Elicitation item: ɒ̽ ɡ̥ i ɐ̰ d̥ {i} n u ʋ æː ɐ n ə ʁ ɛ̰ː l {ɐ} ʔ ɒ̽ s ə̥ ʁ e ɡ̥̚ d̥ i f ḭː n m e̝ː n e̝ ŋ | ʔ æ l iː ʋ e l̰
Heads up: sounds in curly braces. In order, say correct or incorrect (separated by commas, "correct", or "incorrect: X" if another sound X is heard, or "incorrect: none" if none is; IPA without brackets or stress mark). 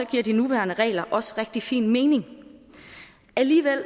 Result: correct, correct